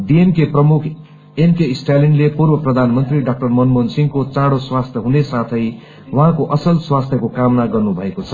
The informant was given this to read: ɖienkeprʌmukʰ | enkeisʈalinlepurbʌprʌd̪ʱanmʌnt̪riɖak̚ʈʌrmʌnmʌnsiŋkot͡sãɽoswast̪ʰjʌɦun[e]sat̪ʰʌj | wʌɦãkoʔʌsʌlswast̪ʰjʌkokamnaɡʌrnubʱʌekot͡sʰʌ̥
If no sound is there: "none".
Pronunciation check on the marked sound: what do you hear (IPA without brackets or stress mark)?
e